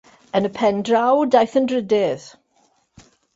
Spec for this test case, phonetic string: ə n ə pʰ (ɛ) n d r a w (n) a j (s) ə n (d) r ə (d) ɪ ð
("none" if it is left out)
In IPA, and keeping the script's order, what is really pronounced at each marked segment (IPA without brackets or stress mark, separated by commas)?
ɛ, d, θ, d, d